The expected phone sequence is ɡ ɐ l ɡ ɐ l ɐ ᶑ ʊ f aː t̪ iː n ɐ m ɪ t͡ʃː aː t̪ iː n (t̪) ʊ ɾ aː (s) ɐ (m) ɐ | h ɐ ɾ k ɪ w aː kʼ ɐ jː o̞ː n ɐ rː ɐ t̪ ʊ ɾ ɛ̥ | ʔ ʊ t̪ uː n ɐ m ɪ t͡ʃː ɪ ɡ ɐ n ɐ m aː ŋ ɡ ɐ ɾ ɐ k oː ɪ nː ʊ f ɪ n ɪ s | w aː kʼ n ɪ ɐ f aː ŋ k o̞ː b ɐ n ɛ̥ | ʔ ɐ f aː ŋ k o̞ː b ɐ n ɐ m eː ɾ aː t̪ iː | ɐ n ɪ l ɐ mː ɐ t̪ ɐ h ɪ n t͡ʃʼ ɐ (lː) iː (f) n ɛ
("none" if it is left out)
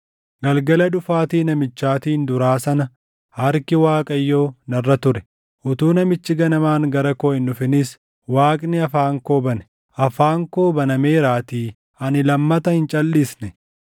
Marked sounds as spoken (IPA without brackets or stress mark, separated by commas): d̪, s, n, lː, s